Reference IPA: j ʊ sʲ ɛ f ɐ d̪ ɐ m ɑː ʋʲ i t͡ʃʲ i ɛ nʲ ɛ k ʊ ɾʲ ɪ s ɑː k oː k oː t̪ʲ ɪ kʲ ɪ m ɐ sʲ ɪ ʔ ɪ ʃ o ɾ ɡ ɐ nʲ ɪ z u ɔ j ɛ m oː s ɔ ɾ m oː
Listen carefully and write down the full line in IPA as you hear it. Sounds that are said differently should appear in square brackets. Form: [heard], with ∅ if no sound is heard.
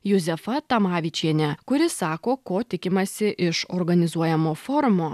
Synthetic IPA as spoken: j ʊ [zʲ] ɛ f ɐ [t̪] ɐ m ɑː ʋʲ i t͡ʃʲ i ɛ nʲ ɛ k ʊ ɾʲ ɪ s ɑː k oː k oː t̪ʲ ɪ kʲ ɪ m ɐ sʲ ɪ ʔ ɪ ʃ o ɾ ɡ ɐ nʲ ɪ z u ɔ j ɛ m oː [f] ɔ ɾ m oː